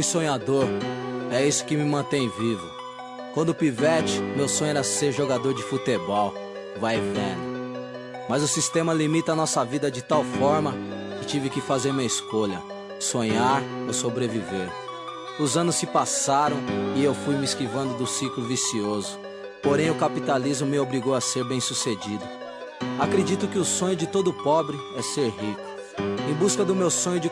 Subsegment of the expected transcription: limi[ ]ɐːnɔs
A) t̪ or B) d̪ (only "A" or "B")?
A